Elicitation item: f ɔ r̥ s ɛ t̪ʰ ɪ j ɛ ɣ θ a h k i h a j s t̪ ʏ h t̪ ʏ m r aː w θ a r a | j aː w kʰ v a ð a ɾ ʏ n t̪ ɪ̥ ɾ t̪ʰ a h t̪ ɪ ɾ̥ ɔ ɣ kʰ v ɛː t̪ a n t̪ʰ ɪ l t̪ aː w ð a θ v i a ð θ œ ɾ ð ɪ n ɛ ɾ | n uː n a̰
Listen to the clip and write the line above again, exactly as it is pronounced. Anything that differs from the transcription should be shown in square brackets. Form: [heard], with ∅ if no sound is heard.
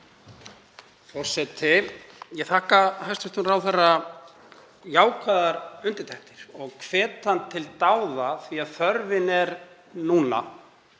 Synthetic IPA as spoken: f ɔ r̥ s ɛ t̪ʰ ɪ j ɛ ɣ θ a h k [a] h a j s t̪ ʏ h t̪ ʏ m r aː w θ a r a | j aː w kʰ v a ð a ɾ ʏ n t̪ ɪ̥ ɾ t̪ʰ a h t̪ ɪ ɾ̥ ɔ ɣ kʰ v ɛː t̪ a n t̪ʰ ɪ l t̪ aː w ð a θ v i a ð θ œ ɾ [v] ɪ n ɛ ɾ | n uː n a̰